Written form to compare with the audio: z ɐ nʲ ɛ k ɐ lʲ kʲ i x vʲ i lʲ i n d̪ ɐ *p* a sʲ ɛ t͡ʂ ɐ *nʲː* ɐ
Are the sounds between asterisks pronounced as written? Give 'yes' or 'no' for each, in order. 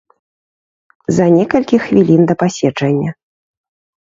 yes, yes

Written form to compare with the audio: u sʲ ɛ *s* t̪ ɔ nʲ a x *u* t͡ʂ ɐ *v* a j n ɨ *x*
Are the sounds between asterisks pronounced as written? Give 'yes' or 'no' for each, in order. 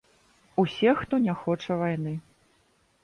no, no, yes, no

